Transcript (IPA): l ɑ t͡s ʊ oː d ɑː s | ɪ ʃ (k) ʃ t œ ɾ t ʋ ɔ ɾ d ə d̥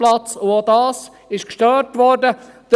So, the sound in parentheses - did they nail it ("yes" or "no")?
yes